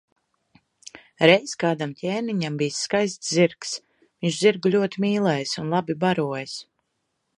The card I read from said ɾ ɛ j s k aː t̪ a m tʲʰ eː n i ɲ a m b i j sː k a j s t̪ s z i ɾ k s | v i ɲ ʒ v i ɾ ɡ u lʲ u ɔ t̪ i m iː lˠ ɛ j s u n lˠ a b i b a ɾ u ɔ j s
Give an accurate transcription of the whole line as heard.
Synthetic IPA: ɾ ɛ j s k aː d̪ a m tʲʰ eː n i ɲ a m b i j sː k a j s t̪ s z i ɾ k s | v i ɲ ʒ z i ɾ ɡ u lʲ u ɔ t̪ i m iː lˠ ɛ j s u n lˠ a b i b a ɾ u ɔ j s